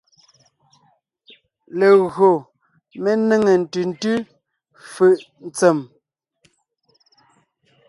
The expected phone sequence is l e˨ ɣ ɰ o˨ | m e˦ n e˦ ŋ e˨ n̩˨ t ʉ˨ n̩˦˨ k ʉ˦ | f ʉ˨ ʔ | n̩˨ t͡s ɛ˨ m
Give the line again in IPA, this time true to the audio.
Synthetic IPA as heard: l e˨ ɣ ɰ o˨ | m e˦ n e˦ ŋ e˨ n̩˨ t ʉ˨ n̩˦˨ t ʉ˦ | f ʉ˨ ʔ | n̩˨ t͡s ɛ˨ m